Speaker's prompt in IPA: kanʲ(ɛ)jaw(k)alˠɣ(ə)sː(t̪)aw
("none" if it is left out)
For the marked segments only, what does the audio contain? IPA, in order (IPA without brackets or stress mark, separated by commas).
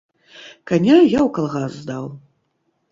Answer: a, k, a, d̪